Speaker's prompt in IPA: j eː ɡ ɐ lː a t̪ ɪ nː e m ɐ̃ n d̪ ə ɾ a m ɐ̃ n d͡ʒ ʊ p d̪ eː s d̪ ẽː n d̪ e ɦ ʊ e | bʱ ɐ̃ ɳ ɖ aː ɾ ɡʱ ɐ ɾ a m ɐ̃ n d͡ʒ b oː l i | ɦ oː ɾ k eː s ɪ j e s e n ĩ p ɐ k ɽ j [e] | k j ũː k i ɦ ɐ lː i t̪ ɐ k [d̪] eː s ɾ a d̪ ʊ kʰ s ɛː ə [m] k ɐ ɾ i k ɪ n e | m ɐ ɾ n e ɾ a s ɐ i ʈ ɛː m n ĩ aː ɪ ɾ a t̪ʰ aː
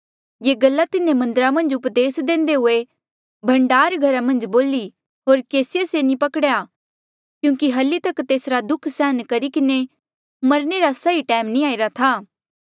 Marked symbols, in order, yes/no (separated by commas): no, no, no